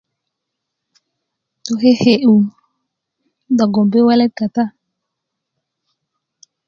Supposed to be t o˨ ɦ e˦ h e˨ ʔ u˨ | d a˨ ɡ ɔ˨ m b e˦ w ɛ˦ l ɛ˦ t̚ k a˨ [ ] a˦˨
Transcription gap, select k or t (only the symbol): t